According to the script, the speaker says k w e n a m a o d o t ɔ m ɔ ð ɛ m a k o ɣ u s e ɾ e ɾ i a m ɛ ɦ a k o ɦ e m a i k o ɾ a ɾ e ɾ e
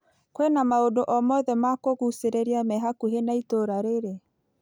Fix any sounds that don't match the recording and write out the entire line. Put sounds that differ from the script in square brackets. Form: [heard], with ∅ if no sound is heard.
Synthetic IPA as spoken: k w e n a m a o d o [ʔ] ɔ m ɔ ð ɛ m a k o ɣ u s e ɾ e ɾ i a m ɛ ɦ a k [u] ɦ e [n] a i [t] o ɾ a ɾ e ɾ e